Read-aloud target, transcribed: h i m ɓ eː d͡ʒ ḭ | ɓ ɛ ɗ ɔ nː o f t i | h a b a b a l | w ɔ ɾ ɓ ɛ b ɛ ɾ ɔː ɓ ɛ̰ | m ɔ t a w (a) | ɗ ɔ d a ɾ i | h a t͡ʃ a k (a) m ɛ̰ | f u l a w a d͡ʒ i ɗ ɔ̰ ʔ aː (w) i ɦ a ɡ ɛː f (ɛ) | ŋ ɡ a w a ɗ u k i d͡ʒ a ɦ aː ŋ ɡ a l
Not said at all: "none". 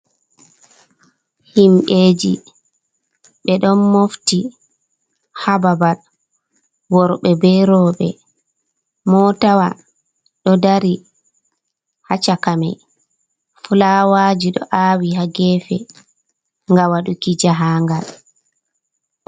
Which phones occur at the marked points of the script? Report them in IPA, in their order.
a, a, w, ɛ

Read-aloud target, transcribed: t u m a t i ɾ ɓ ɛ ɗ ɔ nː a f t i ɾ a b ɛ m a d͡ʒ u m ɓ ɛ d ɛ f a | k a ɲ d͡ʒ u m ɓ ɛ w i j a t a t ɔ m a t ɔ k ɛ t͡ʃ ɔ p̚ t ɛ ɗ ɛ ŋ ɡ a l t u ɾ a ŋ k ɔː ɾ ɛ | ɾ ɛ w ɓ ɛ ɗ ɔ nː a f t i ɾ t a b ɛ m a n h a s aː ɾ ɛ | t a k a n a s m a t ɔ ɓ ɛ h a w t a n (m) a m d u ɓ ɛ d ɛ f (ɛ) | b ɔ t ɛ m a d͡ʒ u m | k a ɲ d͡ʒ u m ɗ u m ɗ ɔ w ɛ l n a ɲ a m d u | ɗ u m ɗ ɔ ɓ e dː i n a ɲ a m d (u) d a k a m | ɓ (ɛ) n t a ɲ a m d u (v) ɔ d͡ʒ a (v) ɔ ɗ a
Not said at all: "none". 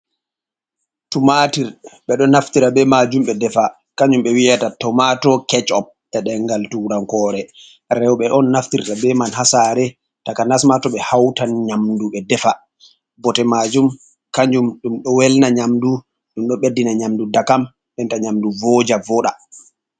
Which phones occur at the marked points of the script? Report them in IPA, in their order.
ɲ, a, u, ɛ, v, v

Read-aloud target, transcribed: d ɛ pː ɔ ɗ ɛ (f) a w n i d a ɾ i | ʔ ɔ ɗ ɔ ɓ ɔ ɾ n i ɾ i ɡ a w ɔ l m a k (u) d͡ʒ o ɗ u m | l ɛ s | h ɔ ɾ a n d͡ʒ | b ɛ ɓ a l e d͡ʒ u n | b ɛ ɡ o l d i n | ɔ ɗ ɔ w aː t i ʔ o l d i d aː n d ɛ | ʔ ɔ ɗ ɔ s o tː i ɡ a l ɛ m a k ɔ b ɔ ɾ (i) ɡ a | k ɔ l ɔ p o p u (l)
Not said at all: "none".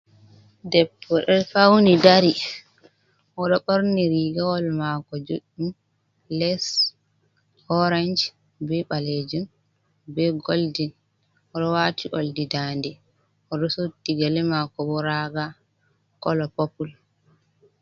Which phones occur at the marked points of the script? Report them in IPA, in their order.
f, ɔ, a, l

